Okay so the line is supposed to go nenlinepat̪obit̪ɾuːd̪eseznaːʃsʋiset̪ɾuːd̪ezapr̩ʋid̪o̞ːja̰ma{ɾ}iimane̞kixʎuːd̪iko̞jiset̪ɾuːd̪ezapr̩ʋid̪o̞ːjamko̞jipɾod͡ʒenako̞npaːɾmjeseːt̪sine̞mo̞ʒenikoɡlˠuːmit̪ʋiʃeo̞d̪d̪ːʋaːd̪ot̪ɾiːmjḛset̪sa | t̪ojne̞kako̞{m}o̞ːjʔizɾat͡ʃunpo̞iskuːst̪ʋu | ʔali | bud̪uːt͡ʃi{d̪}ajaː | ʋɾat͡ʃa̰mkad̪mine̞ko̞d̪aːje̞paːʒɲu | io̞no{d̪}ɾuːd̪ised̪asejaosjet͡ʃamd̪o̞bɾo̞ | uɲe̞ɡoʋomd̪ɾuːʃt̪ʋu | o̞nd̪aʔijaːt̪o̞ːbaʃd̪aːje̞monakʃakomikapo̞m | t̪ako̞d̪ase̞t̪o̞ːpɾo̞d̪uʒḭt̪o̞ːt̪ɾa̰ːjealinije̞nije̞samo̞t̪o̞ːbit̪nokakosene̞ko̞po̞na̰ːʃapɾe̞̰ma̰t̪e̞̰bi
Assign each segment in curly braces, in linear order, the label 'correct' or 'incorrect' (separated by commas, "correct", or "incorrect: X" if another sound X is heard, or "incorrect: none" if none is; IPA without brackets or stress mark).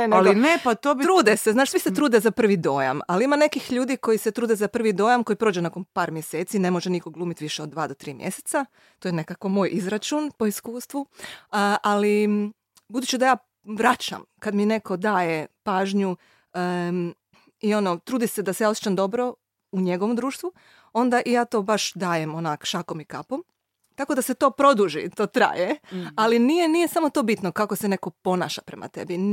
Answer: incorrect: l, correct, correct, incorrect: t̪